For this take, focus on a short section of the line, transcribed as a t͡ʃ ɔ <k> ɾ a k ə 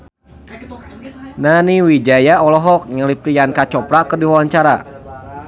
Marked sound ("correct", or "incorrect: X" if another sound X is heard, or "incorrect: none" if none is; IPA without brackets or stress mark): incorrect: p